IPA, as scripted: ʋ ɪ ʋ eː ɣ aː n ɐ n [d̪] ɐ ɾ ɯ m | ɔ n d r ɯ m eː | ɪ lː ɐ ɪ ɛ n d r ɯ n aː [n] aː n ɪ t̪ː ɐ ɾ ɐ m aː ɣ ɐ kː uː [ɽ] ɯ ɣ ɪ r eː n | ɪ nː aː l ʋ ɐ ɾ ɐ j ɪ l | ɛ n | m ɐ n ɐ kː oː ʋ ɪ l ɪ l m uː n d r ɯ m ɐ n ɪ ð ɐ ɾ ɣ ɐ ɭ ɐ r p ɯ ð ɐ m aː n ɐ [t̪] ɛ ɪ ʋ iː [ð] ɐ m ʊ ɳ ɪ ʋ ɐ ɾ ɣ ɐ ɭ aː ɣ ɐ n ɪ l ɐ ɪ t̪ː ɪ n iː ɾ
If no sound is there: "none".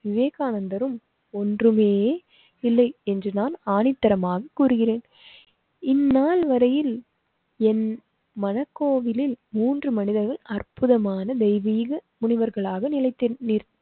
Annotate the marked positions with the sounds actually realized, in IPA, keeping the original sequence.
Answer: d̪, n, ɾ, d̪, ɣ

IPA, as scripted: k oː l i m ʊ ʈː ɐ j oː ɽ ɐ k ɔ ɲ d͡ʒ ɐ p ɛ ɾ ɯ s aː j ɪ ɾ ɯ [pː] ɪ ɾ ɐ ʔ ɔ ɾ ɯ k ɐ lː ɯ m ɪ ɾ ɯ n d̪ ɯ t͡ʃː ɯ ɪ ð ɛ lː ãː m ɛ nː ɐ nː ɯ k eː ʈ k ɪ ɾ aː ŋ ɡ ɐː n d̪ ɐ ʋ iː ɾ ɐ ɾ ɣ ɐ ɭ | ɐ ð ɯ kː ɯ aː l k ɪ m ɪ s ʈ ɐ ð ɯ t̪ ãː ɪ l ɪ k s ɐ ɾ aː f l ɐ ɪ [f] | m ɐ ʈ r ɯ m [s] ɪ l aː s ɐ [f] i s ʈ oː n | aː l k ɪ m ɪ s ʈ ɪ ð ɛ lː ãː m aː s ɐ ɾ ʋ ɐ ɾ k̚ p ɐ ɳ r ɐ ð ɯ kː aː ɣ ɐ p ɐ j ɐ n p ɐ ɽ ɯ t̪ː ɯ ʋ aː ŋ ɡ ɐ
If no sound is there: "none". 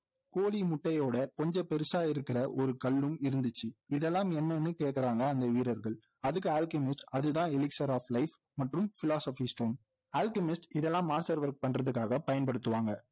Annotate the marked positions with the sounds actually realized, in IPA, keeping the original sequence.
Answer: kː, f, f, f

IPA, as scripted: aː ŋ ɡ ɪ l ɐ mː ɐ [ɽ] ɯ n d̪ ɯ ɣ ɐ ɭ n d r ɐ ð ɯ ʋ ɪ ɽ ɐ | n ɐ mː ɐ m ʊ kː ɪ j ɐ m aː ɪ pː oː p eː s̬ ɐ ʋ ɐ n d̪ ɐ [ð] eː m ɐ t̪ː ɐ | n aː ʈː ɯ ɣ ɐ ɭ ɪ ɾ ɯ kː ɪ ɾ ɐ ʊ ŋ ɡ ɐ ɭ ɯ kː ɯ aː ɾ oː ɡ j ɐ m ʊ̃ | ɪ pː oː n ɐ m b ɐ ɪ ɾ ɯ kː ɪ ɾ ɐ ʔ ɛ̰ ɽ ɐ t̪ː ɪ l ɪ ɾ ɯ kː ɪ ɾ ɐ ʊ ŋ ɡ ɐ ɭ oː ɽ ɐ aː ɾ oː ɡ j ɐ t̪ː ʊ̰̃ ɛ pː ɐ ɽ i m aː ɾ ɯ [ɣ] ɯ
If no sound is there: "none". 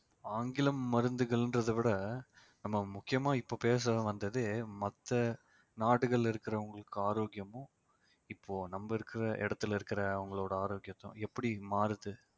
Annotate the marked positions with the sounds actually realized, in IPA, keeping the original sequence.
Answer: ɾ, ð, ð

